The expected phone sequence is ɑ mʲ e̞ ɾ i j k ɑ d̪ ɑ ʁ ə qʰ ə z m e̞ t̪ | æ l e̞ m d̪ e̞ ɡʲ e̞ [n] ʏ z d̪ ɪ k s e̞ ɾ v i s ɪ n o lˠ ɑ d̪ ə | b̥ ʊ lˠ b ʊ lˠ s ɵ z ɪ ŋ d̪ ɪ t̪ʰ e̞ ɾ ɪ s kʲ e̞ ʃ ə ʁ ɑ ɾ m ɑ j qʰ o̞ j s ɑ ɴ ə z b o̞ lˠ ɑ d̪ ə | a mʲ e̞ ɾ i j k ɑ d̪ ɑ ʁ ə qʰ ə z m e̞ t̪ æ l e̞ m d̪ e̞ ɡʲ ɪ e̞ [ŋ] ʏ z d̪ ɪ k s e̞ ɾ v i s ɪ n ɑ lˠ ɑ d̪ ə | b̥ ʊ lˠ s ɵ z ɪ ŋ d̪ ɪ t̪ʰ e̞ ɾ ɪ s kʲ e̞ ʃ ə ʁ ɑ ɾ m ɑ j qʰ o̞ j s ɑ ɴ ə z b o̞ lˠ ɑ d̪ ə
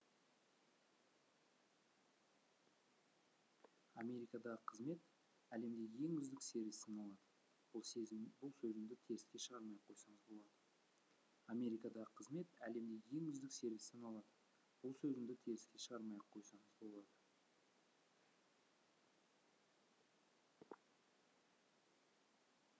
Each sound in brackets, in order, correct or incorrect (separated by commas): incorrect, correct